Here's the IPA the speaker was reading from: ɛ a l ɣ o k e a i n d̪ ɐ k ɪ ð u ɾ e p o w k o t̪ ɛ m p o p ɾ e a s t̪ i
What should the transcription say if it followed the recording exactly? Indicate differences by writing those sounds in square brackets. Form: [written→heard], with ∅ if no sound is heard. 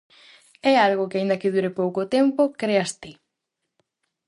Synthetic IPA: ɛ a l ɣ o k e a i n d̪ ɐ k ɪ ð u ɾ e p o w k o t̪ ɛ m p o [p→k] ɾ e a s t̪ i

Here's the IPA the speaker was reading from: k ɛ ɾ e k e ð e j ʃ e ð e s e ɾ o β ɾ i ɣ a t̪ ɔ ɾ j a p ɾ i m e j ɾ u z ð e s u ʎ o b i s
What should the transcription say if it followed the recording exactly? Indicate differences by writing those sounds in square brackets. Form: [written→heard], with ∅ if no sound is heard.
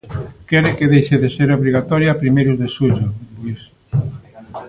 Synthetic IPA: k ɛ ɾ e k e ð e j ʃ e ð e s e ɾ o β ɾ i ɣ a t̪ ɔ ɾ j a p ɾ i m e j ɾ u z ð e s u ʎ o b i s

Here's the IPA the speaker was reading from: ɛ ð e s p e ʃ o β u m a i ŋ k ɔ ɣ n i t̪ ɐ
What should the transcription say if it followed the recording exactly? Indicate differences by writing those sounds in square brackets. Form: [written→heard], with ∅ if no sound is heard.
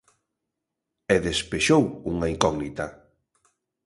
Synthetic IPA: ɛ ð e s p e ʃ o [β→w] u [m→ŋ] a i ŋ k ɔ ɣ n i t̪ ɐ

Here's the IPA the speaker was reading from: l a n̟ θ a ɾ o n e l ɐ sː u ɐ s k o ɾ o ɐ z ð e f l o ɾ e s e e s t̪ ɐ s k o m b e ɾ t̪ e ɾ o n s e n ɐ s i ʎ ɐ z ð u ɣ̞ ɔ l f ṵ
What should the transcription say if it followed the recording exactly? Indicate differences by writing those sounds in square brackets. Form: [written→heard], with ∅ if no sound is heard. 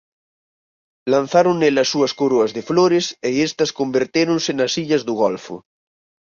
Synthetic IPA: l a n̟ θ a ɾ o n e l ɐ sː u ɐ s k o ɾ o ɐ z ð e f l o ɾ e s e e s t̪ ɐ s k o m b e ɾ t̪ e ɾ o n s e n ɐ s i ʎ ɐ z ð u ɣ̞ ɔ l f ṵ

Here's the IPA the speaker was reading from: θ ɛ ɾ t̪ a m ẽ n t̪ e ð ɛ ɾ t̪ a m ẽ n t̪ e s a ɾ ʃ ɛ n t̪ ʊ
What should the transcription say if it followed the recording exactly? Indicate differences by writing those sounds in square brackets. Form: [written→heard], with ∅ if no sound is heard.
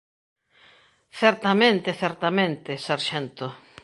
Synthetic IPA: θ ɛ ɾ t̪ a m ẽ n t̪ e [ð→θ] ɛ ɾ t̪ a m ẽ n t̪ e s a ɾ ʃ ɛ n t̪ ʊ

